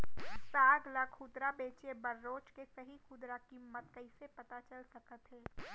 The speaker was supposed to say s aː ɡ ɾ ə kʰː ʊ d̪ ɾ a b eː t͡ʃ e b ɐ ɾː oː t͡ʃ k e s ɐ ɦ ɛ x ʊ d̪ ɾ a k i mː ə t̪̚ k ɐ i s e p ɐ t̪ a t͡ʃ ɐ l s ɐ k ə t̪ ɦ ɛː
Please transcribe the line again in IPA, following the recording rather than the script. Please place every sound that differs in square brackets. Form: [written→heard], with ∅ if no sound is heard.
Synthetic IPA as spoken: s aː ɡ [ɾ→l] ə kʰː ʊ d̪ ɾ a b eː t͡ʃ e b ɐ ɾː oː t͡ʃ k e s ɐ ɦ [ɛ→i] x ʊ d̪ ɾ a k i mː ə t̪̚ k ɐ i s e p ɐ t̪ a t͡ʃ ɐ l s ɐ k ə t̪ ɦ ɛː

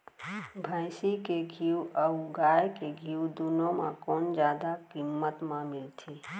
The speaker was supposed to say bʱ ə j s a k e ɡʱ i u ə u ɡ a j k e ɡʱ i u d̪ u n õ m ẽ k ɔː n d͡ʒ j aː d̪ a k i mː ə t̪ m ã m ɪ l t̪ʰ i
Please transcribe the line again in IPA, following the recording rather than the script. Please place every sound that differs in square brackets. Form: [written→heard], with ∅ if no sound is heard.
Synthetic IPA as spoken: bʱ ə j s [a→i] k e ɡʱ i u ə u ɡ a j k e ɡʱ i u d̪ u n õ m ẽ k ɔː n d͡ʒ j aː d̪ a k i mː ə t̪ m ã m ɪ l t̪ʰ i

